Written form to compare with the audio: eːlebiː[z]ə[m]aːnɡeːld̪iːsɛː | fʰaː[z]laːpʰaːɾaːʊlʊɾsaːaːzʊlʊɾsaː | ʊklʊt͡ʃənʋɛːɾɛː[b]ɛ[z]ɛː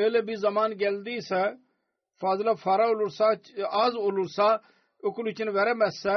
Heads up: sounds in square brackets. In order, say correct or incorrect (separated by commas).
correct, correct, correct, incorrect, incorrect